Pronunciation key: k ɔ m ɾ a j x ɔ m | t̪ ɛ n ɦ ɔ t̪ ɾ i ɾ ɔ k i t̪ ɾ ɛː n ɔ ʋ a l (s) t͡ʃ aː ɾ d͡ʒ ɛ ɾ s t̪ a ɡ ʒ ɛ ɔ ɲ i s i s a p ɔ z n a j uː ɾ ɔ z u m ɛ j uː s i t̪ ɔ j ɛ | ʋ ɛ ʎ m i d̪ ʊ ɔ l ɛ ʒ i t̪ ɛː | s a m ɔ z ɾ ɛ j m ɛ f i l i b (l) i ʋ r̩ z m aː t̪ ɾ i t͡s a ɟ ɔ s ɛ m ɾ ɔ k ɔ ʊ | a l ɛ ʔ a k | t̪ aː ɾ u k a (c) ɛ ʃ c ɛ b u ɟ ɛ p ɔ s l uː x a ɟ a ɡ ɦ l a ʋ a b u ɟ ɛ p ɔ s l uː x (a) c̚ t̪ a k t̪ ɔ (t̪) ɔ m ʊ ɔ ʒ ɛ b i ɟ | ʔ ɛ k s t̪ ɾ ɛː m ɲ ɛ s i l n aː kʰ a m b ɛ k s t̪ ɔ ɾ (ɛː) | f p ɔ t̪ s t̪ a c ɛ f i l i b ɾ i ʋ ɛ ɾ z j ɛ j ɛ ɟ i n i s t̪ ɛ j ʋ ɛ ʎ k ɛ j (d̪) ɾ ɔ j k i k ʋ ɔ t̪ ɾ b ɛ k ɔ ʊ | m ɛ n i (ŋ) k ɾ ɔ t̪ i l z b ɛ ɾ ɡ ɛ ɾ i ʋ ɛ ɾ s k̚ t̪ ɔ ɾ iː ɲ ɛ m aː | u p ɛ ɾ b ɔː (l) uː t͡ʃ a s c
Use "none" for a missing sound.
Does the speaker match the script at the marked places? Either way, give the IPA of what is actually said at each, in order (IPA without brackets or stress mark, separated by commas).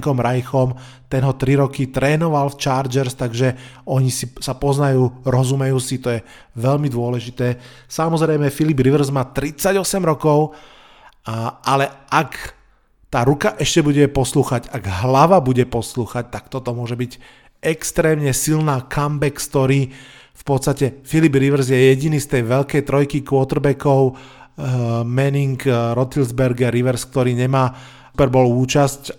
f, ɾ, ʔ, a, t̪, iː, t̪, ŋ, l